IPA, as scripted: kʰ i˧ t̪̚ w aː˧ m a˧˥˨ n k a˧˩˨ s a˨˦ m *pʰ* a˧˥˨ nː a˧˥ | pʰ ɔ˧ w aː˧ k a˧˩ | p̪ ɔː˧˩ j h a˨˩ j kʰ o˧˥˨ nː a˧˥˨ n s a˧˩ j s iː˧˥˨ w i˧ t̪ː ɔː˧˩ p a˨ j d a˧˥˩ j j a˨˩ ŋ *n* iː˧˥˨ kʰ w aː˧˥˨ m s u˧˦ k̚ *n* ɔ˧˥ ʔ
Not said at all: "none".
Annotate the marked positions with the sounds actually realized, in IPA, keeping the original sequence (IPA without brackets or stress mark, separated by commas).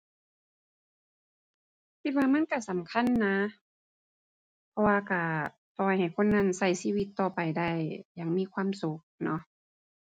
kʰ, m, n